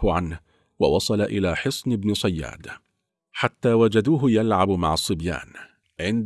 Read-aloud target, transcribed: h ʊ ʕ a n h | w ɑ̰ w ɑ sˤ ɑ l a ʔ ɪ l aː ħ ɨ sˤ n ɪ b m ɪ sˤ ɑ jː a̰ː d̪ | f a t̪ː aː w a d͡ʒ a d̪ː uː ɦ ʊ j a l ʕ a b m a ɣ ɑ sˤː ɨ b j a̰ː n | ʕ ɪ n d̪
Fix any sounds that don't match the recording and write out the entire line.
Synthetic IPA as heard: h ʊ ʕ a n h | w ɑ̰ w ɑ sˤ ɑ l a ʔ ɪ l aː ħ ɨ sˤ n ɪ b n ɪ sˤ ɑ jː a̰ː d̪ | ħ a t̪ː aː w a d͡ʒ a d̪ uː ɦ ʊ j a l ʕ a b m a ʕ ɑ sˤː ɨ b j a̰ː n | ʕ ɪ n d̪